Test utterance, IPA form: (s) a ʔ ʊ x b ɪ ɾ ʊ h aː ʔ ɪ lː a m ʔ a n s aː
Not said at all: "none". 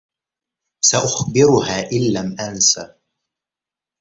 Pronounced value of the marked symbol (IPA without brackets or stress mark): s